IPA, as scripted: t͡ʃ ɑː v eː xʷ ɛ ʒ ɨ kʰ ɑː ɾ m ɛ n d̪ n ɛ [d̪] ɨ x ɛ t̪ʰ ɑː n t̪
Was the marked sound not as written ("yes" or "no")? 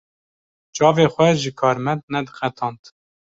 no